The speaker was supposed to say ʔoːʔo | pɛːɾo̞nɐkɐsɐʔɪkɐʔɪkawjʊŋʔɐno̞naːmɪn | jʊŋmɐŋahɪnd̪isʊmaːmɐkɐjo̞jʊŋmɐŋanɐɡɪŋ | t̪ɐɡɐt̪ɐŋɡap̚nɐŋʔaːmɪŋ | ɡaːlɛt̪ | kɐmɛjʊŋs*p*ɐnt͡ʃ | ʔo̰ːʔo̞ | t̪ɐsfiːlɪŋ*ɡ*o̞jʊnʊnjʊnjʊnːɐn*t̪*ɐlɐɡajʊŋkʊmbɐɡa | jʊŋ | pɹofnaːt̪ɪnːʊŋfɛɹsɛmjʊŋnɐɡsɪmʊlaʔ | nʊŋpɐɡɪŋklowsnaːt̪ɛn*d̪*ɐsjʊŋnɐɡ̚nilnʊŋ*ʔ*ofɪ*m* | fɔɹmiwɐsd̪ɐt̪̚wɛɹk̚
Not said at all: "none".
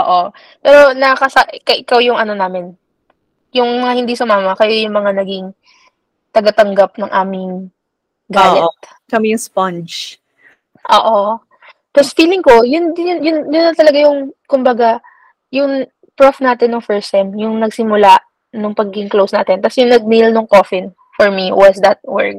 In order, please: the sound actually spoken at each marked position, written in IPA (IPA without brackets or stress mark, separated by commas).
p, k, t̪, t̪, k, n